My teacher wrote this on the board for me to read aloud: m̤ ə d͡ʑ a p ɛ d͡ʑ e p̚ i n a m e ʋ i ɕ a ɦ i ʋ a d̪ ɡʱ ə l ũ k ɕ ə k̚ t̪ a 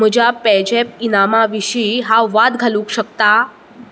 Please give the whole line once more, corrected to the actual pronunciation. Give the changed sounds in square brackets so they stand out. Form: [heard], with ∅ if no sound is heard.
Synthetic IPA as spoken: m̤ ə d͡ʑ a p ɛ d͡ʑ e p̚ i n a m [a] ʋ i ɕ [i] ɦ [a] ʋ a d̪ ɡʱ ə l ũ k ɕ ə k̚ t̪ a